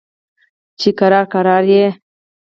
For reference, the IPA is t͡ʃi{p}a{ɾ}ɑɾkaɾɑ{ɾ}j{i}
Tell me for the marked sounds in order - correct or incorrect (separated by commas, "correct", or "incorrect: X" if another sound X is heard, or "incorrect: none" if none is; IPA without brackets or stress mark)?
incorrect: k, correct, correct, incorrect: e